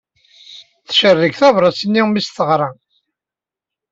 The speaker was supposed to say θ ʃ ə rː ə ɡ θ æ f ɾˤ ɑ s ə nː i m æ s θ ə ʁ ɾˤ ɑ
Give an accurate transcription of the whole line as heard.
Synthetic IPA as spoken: θ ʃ ə rː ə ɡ θ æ v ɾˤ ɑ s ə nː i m i s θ ə ʁ ɾˤ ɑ